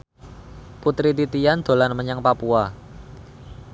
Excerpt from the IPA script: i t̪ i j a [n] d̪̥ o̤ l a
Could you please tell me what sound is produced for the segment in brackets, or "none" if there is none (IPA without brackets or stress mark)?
n